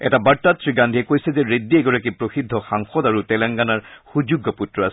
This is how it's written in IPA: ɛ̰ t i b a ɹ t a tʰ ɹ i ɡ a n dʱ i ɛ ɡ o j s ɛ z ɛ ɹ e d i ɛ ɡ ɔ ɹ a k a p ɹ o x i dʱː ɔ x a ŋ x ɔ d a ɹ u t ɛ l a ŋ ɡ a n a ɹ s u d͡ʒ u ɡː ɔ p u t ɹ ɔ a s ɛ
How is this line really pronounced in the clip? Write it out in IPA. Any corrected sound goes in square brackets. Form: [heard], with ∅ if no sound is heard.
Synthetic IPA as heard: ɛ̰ t [a] b a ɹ t a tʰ ɹ i ɡ a n dʱ i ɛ [k] o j s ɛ z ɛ ɹ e d i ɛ ɡ ɔ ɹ a k [i] p ɹ o x i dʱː ɔ x a ŋ x ɔ d a ɹ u t ɛ l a ŋ ɡ a n a ɹ [x] u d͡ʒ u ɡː ɔ p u t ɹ ɔ a s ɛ